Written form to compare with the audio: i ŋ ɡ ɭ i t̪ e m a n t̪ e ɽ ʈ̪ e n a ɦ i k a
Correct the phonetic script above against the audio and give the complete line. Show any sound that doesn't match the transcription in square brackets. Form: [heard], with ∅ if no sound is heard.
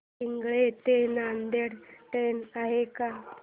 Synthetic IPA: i ŋ ɡ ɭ [e] t̪ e [n] a n [d̪] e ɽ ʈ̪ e n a ɦ [e] k a